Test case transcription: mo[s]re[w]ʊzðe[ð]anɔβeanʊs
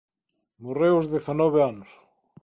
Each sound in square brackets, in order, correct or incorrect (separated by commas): incorrect, correct, incorrect